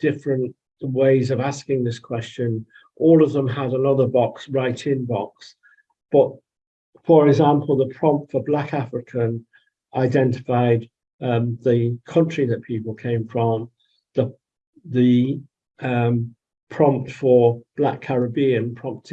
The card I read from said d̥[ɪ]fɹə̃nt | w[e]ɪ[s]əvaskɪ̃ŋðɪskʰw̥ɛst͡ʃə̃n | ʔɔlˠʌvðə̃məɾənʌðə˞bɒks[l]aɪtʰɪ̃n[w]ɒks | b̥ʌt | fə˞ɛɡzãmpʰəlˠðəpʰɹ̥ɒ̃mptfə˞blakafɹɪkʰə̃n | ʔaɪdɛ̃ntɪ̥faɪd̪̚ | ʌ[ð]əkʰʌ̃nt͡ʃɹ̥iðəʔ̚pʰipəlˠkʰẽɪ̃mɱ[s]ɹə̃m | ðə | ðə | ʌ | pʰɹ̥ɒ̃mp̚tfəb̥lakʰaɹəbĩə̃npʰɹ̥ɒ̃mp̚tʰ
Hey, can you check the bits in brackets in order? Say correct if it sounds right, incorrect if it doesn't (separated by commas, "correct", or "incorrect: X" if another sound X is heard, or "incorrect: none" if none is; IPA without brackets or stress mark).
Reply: correct, correct, incorrect: z, incorrect: ɹ, incorrect: b, correct, incorrect: f